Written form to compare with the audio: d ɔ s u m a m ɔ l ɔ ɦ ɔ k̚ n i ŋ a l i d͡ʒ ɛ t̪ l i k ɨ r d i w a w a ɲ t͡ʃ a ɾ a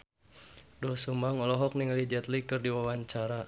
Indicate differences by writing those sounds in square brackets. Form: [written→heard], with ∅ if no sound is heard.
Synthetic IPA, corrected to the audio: d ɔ s u m a [m→ŋ] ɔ l ɔ ɦ ɔ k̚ n i ŋ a l i d͡ʒ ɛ t̪ l i k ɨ r d i w a w a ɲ t͡ʃ a ɾ a